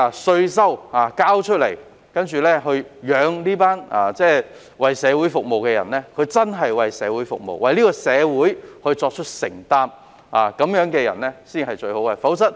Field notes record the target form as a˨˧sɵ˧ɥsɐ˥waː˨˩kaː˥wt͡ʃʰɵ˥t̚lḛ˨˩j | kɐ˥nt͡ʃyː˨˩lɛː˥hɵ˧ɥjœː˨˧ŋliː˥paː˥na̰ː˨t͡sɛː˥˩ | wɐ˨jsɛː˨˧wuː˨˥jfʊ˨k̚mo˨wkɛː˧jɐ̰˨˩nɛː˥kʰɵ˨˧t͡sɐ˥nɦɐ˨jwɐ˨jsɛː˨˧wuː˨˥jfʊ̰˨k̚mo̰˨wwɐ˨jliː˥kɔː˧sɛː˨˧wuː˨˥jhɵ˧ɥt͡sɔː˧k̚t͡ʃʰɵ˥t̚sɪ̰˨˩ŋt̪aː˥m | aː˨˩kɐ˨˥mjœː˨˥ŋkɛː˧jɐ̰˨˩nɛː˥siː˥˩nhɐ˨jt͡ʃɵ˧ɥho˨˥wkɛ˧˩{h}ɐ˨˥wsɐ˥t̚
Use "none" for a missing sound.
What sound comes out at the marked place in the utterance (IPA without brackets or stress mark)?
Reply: f